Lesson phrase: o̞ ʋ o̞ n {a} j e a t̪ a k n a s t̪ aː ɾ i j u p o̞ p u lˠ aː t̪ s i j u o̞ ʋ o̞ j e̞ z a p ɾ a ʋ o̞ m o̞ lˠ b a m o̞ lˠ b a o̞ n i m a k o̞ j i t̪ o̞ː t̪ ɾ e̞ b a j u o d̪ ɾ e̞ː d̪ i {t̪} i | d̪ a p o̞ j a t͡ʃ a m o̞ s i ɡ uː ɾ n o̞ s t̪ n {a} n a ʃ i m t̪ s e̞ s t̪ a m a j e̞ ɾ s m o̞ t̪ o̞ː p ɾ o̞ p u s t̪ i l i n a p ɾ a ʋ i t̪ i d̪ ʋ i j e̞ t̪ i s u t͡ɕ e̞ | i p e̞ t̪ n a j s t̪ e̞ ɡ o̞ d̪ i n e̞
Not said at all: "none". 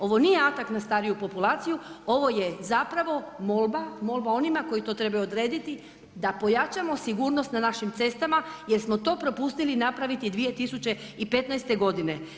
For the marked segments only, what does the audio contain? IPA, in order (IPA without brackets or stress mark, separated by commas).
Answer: i, t̪, a